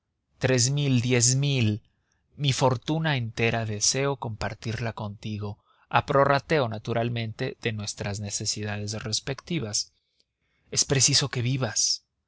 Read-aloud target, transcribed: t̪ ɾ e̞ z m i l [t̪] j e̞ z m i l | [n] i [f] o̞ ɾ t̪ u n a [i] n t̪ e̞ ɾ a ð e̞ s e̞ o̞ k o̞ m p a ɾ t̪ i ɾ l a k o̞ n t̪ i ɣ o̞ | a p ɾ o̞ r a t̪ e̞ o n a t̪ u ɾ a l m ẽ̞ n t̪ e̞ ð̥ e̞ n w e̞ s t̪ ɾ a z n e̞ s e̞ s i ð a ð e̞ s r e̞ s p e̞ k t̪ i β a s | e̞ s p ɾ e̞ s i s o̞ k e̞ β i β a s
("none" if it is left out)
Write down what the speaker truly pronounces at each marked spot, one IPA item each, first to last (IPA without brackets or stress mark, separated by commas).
d̪, m, f, e